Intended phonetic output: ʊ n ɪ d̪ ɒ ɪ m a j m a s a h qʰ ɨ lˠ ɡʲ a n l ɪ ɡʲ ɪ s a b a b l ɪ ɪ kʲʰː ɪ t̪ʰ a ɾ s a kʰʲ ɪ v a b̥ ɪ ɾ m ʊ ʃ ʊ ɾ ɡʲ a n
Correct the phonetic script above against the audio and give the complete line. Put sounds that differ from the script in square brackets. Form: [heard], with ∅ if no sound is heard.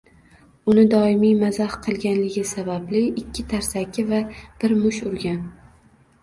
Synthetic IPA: ʊ n ɪ d̪ ɒ ɪ m [i] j m a [z] a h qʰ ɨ lˠ ɡʲ a n l ɪ ɡʲ ɪ s a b a b l ɪ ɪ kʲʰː ɪ t̪ʰ a ɾ s a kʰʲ ɪ v a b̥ ɪ ɾ m ʊ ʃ ʊ ɾ ɡʲ a n